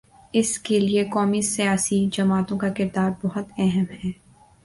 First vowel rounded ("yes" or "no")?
no